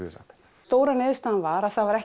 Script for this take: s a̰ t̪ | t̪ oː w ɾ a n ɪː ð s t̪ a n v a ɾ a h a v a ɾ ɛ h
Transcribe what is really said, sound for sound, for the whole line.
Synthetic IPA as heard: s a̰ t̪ | t̪ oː w ɾ a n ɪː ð s t̪ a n v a ɾ a θ a v a ɾ ɛ h